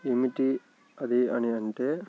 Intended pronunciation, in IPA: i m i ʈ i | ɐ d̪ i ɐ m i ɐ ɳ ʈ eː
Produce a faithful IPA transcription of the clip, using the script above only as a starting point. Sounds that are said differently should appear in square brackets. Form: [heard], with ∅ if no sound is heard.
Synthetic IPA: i m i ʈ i | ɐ d̪ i ɐ [n] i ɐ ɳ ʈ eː